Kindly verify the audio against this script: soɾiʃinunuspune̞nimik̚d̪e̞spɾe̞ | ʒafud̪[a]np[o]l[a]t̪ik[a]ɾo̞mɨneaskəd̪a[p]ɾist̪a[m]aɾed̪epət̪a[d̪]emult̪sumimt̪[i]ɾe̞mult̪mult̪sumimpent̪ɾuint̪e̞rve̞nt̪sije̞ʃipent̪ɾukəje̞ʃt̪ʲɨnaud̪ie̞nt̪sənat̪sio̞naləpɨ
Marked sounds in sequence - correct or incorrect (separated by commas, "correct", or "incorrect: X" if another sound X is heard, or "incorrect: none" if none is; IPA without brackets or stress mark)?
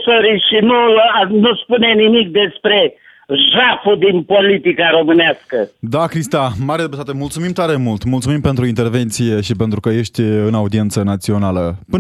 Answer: incorrect: i, correct, incorrect: i, correct, incorrect: k, correct, incorrect: t̪, incorrect: a